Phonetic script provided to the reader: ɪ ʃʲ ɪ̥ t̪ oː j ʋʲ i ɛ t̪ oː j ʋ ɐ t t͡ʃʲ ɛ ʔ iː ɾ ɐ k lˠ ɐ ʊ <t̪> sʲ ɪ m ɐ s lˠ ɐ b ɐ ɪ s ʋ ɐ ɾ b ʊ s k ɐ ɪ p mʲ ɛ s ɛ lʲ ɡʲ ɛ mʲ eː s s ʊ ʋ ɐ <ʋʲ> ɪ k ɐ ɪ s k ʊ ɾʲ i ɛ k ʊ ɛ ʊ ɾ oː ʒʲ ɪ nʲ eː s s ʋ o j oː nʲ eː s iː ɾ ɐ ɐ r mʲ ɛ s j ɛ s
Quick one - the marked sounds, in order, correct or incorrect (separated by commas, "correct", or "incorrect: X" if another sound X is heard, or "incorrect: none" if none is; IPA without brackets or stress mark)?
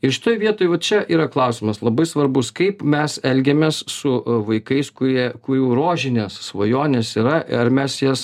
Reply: incorrect: none, incorrect: none